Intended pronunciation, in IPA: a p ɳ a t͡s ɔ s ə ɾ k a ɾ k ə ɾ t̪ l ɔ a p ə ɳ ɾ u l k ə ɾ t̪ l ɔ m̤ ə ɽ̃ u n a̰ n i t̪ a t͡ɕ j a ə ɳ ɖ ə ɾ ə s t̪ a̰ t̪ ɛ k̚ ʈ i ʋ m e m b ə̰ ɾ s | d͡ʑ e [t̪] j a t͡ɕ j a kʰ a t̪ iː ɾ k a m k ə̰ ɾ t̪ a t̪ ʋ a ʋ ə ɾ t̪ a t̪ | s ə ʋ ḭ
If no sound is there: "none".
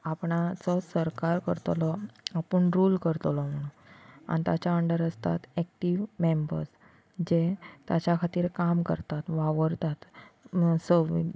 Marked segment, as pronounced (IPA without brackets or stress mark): t̪